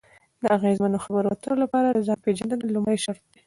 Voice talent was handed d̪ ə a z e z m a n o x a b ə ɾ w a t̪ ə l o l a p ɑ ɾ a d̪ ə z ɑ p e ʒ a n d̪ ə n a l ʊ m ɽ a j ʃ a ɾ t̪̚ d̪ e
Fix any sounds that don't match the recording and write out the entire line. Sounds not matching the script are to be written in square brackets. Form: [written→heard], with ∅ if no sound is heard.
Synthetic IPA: d̪ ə a [z→ɣ] e z m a n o x a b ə ɾ w a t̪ ə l o l a p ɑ ɾ a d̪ ə z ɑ p e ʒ a n d̪ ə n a l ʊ m ɽ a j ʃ a ɾ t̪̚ d̪ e